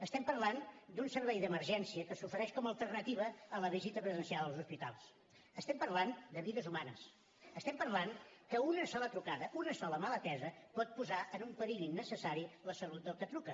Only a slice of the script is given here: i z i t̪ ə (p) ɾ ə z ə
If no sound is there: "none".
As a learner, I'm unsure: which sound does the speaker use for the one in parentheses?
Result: p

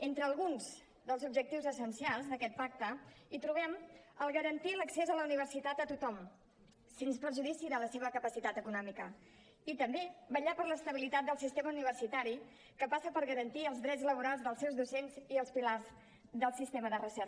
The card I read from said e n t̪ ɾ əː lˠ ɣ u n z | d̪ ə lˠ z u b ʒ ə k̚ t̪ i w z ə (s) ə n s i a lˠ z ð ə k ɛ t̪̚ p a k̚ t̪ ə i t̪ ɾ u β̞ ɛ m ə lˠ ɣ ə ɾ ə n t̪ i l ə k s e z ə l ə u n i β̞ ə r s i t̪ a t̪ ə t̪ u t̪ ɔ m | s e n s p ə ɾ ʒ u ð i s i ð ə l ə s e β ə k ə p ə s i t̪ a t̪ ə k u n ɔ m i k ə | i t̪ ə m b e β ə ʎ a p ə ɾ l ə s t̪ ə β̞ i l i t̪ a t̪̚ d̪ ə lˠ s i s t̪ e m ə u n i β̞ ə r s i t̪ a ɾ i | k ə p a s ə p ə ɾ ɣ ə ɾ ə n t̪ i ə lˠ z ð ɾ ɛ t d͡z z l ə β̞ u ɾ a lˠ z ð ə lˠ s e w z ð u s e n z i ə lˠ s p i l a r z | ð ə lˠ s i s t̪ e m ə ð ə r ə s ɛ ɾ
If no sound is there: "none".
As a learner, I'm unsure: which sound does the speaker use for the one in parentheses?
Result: s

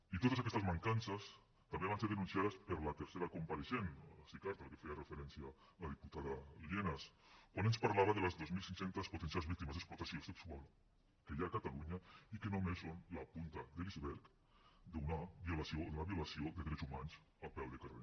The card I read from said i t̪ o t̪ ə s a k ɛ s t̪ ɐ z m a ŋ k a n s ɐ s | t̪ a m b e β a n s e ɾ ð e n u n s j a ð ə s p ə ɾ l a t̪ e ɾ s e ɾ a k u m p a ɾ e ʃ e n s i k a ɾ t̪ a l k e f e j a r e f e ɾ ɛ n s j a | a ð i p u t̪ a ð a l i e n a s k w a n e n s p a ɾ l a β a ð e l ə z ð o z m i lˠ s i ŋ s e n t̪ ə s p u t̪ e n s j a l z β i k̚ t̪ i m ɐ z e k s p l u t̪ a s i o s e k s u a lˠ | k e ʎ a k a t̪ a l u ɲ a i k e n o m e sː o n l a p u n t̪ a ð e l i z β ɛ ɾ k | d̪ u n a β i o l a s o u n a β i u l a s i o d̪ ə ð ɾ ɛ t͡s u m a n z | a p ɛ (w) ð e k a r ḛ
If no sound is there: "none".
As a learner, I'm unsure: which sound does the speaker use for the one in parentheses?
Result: w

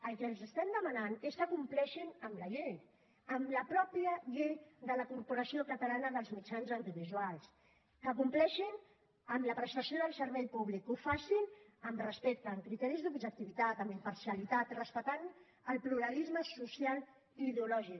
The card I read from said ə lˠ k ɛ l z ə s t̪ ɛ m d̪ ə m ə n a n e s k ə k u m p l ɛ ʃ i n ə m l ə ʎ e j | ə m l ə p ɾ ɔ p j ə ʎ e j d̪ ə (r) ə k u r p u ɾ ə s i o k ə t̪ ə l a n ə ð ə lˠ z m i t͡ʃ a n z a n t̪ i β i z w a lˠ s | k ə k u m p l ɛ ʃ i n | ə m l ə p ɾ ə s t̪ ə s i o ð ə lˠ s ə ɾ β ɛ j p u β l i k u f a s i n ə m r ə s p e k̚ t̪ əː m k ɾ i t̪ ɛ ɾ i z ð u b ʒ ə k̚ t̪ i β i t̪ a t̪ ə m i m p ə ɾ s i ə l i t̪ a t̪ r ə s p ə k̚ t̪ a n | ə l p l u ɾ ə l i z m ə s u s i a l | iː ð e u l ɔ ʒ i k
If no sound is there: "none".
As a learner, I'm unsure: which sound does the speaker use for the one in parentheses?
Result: l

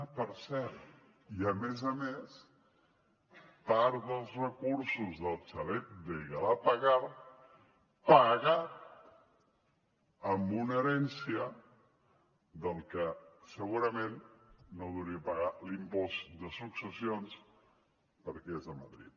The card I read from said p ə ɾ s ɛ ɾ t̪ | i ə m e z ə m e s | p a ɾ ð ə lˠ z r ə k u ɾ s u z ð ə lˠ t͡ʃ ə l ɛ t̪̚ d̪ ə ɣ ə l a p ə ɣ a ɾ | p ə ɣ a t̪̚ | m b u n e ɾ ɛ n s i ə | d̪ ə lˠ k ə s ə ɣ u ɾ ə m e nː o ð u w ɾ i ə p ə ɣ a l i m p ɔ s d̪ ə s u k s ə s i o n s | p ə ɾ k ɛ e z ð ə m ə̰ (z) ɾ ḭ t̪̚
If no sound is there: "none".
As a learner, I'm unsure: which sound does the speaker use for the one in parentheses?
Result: ð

